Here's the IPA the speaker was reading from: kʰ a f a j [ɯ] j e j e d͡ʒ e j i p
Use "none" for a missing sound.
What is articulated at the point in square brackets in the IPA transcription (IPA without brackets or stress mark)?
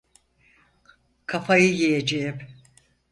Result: ɯ